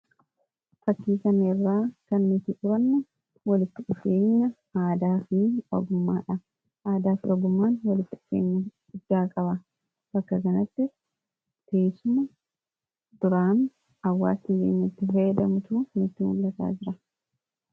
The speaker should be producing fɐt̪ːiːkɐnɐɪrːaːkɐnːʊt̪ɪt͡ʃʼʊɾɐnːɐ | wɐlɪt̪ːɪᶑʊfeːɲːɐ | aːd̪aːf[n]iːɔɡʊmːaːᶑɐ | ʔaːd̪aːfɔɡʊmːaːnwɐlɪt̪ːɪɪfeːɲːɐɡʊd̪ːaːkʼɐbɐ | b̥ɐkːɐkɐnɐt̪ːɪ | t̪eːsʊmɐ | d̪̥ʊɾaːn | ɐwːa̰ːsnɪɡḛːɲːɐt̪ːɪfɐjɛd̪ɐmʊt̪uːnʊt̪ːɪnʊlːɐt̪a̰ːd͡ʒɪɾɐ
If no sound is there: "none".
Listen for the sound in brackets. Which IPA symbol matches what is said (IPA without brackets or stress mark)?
n